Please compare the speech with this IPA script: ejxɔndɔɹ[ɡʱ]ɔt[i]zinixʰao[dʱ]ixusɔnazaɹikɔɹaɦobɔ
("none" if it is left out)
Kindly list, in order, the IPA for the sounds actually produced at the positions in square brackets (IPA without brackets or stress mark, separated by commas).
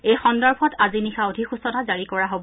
bʱ, a, dʱ